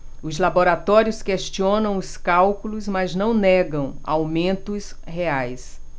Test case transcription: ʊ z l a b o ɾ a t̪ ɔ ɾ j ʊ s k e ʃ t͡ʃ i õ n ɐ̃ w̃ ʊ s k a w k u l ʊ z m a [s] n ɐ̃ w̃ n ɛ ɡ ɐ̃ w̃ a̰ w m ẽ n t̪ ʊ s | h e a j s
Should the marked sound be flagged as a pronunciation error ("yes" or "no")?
yes